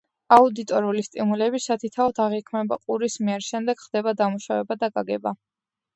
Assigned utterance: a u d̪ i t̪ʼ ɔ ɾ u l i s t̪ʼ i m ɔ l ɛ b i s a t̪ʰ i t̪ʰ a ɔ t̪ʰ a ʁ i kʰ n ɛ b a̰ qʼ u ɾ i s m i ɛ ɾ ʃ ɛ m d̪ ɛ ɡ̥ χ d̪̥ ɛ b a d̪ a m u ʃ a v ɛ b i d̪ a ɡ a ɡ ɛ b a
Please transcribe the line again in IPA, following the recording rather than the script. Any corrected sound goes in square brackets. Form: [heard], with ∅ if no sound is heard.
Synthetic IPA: a u d̪ i t̪ʼ ɔ ɾ u l i s t̪ʼ i m [u] l ɛ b i s a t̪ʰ i t̪ʰ a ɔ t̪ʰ a ʁ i kʰ [m] ɛ b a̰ qʼ u ɾ i s m i ɛ ɾ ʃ ɛ m d̪ ɛ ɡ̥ χ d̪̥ ɛ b a d̪ a m u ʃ a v ɛ b [a] d̪ a ɡ a ɡ ɛ b a